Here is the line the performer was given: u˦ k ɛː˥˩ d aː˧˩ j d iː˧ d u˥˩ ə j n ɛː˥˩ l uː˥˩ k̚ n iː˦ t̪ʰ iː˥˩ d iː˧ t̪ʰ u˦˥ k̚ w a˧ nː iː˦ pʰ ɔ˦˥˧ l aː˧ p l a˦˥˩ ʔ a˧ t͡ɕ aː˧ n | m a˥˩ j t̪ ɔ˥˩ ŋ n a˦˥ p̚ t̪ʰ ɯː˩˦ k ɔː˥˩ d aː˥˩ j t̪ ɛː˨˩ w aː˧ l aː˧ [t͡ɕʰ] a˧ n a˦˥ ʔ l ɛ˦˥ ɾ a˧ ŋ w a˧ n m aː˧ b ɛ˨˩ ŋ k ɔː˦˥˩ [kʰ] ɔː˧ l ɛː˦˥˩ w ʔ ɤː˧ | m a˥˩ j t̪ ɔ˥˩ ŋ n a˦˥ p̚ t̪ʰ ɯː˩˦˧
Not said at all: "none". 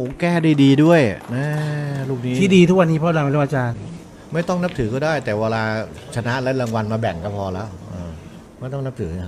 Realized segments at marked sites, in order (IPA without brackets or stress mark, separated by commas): t͡ɕʰ, pʰ